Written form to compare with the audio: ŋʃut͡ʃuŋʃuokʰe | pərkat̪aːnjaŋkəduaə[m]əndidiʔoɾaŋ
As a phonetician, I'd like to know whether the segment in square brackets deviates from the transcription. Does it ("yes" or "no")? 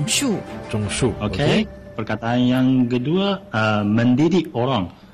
no